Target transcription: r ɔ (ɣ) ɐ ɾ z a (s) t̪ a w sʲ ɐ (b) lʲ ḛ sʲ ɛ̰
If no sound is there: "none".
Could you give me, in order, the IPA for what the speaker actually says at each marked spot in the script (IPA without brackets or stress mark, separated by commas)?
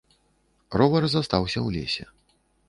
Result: v, s, w